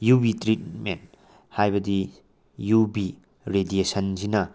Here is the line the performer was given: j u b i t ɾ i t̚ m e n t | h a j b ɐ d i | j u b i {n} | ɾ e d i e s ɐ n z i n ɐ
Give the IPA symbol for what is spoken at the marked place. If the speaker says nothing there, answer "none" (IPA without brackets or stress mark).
none